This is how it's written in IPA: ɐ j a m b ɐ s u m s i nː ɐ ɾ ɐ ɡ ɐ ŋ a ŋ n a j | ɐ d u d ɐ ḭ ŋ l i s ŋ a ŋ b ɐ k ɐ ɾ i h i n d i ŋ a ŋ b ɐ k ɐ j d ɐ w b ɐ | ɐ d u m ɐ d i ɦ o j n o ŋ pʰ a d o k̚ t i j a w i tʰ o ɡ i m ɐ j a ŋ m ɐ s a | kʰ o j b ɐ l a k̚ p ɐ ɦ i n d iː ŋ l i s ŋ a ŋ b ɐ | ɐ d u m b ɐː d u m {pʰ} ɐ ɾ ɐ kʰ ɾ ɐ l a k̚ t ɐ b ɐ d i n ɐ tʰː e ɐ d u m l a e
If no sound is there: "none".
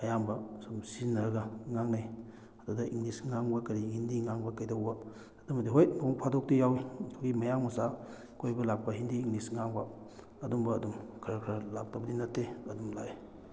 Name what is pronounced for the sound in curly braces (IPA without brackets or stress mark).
kʰ